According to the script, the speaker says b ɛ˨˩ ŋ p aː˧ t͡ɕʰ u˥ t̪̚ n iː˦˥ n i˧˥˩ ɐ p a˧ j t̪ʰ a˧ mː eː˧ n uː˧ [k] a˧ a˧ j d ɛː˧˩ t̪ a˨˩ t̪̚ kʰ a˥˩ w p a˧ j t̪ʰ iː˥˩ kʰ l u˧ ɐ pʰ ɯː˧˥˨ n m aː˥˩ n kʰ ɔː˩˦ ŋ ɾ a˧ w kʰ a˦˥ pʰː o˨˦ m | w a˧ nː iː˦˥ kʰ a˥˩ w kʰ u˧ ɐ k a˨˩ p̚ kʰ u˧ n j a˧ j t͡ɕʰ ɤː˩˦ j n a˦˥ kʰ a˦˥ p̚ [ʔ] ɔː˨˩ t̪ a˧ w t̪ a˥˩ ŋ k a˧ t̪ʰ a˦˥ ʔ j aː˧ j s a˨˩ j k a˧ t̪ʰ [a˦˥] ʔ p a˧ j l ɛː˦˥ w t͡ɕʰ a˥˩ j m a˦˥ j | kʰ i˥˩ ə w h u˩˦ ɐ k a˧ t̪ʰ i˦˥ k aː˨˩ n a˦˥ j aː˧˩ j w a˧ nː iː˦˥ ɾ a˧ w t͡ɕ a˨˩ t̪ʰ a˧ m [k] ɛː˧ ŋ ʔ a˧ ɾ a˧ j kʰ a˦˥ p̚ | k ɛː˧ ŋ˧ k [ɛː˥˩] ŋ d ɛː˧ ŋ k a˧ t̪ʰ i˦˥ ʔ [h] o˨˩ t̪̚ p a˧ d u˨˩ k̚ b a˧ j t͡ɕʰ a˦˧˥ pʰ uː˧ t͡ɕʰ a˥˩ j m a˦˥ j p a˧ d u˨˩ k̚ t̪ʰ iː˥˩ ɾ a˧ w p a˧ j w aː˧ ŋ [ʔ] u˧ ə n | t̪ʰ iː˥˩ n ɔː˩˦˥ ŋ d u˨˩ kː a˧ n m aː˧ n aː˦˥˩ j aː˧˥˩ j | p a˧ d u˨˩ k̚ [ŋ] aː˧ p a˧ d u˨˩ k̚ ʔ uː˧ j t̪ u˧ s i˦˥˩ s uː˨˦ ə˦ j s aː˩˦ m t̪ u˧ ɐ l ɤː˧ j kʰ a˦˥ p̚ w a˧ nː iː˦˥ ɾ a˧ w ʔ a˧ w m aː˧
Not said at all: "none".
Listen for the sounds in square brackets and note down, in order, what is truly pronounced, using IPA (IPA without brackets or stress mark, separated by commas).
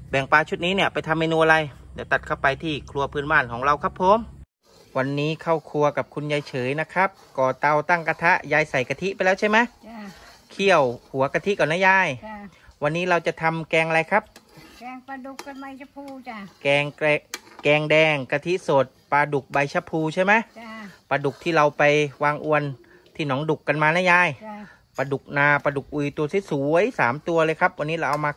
ʔ, k, i˦˥, k, ɛː˧, s, ʔ, n